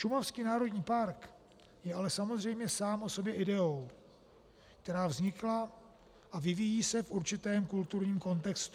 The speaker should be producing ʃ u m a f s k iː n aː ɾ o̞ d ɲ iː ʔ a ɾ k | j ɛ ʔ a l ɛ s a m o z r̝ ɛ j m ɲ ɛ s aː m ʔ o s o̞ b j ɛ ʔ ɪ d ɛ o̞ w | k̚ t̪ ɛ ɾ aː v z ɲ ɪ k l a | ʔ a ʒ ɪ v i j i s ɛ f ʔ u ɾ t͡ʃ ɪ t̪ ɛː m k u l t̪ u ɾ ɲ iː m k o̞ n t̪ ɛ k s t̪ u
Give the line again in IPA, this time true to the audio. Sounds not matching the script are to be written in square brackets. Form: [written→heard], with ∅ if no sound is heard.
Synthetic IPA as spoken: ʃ u m a f s k iː n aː ɾ o̞ d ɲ iː [ʔ→p] a ɾ k | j ɛ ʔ a l ɛ s a m o z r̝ ɛ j m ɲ ɛ s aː m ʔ o s o̞ b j ɛ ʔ ɪ d ɛ o̞ w | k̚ t̪ ɛ ɾ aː v z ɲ ɪ k l a | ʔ a [ʒ→v] ɪ v i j [i→iː] s ɛ f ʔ u ɾ t͡ʃ ɪ t̪ ɛː m k u l t̪ u ɾ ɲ iː m k o̞ n t̪ ɛ k s t̪ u